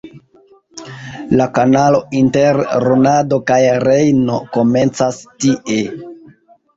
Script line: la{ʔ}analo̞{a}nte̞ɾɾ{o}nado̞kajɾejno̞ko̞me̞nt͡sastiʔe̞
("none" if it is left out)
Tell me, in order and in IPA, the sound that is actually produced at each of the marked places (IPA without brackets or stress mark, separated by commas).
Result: k, i, o